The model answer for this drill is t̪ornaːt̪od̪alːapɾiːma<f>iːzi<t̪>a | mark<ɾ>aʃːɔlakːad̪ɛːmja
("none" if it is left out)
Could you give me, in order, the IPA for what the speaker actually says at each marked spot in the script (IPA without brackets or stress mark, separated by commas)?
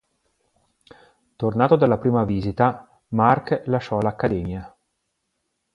v, t̪, l